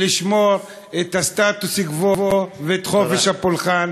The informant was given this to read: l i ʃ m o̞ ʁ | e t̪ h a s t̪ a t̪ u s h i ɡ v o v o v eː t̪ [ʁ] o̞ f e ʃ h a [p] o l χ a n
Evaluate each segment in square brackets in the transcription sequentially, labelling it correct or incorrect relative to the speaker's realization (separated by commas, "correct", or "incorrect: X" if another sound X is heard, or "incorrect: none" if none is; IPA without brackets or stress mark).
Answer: incorrect: χ, correct